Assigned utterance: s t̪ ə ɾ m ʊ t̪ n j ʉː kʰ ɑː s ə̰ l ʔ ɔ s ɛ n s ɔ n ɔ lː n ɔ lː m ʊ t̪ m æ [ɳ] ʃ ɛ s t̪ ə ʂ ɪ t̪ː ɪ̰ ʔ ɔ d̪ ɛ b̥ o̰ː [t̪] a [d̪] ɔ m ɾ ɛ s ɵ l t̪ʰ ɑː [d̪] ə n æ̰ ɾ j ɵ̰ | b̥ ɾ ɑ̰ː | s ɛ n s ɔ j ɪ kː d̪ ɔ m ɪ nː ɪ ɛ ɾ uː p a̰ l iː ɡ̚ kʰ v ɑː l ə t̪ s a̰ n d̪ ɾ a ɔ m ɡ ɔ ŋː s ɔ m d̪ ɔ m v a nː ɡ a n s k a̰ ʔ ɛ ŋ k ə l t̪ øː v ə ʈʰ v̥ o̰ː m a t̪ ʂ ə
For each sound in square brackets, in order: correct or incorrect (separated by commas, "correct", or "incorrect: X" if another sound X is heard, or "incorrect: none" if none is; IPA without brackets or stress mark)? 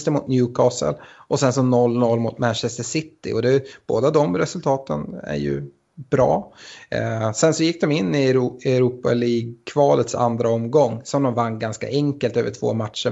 incorrect: n, incorrect: d̪, correct, incorrect: t̪